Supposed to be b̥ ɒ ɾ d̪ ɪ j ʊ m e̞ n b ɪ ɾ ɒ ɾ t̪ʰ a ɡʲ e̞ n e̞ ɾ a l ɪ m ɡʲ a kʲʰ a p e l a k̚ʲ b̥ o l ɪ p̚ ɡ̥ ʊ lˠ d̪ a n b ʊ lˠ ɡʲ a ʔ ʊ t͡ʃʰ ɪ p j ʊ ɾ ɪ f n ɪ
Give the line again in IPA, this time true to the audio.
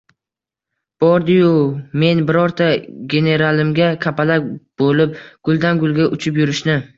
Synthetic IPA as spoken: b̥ ɒ ɾ d̪ ɪ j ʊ m e̞ n b ɪ ɾ ɒ ɾ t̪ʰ a ɡʲ e̞ n e̞ ɾ a l ɪ m ɡʲ a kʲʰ a p a l a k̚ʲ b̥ o l ɪ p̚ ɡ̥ ʊ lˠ d̪ a n ɡ ʊ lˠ ɡʲ a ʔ ʊ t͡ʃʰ ɪ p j ʊ ɾ ɪ ʃ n ɪ